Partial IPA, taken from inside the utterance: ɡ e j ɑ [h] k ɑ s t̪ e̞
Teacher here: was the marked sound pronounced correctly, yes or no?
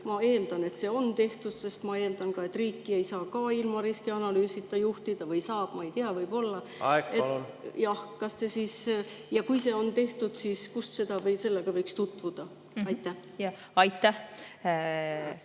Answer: yes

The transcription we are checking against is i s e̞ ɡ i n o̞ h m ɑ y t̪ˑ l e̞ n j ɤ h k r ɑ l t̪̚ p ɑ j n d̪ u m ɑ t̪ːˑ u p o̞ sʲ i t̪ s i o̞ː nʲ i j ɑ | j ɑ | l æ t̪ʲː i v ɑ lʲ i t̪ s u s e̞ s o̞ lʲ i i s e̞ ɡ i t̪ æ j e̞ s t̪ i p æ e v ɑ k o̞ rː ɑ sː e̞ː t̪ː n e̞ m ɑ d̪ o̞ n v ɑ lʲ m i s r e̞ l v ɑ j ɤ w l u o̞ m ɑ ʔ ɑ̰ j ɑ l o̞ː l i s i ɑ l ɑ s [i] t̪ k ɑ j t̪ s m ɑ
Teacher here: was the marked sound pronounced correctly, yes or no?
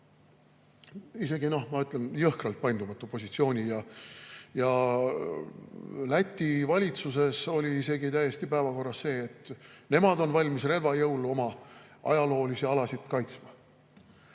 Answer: yes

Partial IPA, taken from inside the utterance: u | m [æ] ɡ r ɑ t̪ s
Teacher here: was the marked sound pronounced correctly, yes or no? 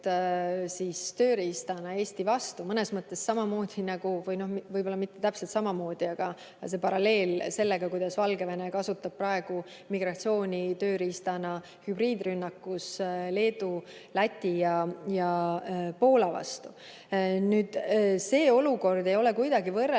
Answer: no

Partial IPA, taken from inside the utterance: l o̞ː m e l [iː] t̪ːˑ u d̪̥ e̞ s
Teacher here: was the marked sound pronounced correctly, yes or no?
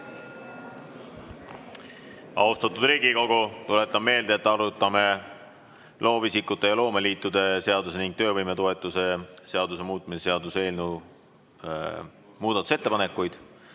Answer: yes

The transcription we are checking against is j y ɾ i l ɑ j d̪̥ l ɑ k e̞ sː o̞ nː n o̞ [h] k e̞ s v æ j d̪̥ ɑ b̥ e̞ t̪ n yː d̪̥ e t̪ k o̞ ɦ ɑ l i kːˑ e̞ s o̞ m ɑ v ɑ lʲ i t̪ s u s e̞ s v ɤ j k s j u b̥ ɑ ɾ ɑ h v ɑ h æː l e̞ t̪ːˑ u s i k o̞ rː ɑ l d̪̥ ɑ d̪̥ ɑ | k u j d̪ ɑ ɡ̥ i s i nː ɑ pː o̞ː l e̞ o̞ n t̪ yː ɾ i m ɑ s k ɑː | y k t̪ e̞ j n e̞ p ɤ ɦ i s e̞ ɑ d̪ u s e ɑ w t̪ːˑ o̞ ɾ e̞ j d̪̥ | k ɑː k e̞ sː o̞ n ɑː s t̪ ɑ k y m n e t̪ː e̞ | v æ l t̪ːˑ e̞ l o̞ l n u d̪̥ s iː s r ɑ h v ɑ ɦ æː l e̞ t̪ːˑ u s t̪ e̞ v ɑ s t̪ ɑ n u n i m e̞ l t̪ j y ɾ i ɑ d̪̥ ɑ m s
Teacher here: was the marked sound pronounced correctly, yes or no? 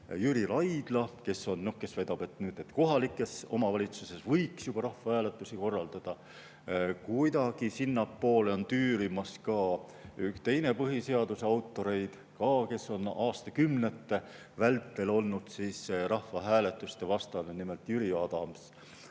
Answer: yes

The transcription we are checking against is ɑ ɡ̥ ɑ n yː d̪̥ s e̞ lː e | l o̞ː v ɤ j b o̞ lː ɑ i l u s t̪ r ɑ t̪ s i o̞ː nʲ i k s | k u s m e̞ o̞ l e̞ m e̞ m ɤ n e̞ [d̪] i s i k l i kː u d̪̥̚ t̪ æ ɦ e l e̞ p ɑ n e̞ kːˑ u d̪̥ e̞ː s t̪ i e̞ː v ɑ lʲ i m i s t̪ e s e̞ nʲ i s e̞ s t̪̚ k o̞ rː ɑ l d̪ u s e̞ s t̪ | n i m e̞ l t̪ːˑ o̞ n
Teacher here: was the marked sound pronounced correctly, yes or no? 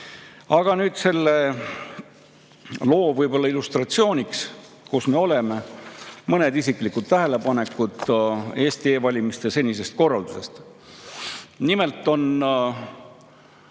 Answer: yes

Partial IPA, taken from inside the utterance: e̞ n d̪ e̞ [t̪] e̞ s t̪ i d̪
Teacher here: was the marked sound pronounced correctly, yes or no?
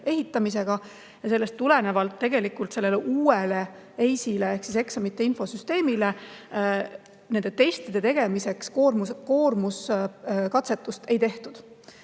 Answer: yes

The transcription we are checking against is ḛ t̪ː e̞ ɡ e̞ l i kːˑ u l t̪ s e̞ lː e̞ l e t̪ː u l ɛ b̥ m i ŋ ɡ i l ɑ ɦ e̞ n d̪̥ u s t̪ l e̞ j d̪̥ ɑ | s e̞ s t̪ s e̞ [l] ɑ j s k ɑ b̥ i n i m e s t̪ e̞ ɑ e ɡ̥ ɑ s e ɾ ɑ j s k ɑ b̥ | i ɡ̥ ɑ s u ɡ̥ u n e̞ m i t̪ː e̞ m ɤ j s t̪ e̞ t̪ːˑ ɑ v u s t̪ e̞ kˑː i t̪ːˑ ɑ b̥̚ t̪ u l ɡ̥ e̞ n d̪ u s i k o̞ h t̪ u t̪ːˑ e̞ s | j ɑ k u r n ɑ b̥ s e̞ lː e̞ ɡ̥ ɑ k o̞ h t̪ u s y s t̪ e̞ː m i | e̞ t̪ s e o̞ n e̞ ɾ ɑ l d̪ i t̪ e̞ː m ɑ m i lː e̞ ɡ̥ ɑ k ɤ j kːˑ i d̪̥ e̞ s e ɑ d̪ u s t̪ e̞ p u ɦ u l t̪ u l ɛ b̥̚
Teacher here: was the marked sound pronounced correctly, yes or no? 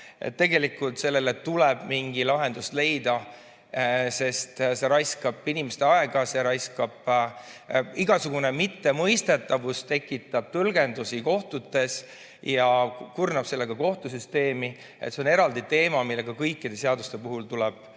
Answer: no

